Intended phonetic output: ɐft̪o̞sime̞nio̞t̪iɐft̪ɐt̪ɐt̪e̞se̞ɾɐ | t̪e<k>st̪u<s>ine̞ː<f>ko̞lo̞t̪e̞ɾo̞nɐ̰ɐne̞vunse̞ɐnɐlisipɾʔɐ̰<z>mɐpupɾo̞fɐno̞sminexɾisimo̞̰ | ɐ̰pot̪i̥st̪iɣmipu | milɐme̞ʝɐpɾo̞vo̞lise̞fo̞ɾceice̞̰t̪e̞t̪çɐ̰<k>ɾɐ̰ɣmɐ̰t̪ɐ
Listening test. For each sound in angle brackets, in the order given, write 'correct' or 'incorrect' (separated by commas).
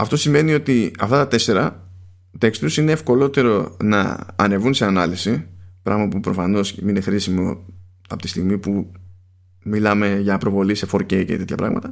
correct, correct, correct, incorrect, incorrect